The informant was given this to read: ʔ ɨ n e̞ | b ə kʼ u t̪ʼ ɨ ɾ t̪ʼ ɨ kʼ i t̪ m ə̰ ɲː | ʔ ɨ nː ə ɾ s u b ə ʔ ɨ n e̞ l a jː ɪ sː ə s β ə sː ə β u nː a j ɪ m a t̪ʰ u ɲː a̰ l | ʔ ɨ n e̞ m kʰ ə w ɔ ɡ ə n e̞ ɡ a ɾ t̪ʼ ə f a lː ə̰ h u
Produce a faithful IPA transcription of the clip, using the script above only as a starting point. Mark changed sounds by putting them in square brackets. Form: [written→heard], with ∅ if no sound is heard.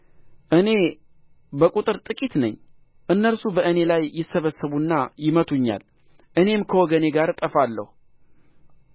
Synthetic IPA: ʔ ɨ n e̞ | b ə kʼ u t̪ʼ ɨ ɾ t̪ʼ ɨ kʼ i t̪ [m→n] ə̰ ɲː | ʔ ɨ nː ə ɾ s u b ə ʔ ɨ n e̞ l a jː ɪ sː ə [s→∅] β ə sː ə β u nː a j ɪ m [a→ə] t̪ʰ u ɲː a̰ l | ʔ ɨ n e̞ m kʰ ə w ɔ ɡ ə n e̞ ɡ a ɾ t̪ʼ ə f a lː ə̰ h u